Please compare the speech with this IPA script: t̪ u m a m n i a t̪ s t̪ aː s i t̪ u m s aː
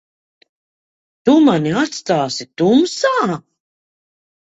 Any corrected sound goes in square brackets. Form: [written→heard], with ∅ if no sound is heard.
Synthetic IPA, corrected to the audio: t̪ u m a [m→∅] n i a t̪ s t̪ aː s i t̪ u m s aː